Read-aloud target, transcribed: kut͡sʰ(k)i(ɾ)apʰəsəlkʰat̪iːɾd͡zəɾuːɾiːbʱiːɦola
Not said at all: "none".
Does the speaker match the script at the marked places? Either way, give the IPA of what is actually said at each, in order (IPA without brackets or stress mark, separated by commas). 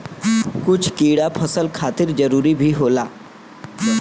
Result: k, ɽ